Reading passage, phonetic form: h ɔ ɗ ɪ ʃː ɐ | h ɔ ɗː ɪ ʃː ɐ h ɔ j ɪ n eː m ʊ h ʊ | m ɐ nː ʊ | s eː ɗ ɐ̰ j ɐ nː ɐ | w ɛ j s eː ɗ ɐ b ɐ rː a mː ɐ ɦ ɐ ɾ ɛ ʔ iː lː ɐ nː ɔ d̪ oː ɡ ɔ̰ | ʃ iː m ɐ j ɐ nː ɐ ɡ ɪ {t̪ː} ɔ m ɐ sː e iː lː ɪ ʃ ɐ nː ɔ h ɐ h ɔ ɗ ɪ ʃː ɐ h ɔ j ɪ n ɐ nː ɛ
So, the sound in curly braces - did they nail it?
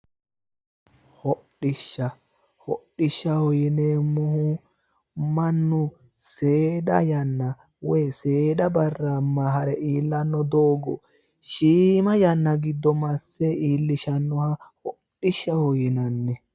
no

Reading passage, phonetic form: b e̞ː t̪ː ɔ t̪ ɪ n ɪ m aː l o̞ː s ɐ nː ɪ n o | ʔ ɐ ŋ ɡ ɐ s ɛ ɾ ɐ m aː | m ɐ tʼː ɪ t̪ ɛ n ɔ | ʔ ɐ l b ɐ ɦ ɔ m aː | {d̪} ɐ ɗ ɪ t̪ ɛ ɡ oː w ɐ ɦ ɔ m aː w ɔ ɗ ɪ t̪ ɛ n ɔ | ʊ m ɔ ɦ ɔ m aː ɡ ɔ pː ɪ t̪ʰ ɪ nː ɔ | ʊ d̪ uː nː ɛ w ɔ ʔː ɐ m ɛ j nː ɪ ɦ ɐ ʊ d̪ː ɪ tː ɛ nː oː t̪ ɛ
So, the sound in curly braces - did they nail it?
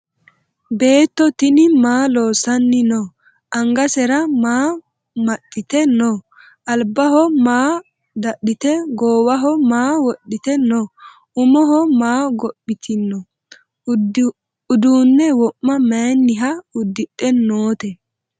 yes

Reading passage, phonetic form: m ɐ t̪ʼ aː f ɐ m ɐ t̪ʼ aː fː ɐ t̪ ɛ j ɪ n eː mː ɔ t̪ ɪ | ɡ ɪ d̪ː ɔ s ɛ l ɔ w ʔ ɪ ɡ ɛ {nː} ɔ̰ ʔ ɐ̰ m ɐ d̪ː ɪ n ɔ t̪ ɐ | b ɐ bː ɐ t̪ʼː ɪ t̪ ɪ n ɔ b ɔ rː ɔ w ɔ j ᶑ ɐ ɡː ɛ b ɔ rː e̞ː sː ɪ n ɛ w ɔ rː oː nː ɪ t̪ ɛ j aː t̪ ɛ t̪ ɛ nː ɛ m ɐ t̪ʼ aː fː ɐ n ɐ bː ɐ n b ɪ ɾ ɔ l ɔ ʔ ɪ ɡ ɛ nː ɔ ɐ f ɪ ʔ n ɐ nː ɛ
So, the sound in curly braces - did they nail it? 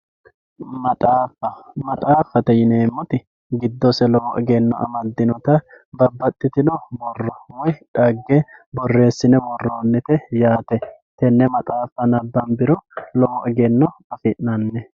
yes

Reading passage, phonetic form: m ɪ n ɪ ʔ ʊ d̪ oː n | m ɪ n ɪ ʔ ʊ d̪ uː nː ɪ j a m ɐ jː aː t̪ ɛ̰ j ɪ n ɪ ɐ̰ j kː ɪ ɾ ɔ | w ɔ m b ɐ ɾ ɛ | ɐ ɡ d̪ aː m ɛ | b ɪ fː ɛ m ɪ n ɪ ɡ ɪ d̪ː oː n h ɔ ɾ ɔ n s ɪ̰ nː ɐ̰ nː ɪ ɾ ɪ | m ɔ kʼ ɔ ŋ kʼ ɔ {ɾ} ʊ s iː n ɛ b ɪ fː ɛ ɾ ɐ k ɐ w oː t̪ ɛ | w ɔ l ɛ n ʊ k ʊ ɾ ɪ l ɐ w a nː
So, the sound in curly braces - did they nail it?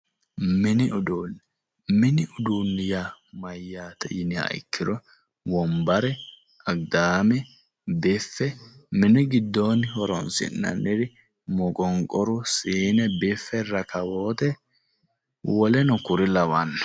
yes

